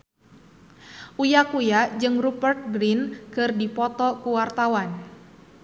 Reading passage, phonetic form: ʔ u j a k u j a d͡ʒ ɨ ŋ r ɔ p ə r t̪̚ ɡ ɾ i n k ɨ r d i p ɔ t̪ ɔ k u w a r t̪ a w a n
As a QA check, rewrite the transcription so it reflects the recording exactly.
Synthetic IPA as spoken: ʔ u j a k u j a d͡ʒ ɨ ŋ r u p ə r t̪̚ ɡ ɾ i n k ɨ r d i p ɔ t̪ ɔ k u w a r t̪ a w a n